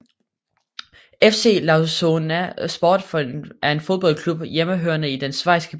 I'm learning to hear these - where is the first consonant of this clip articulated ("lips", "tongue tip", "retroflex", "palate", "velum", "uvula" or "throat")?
lips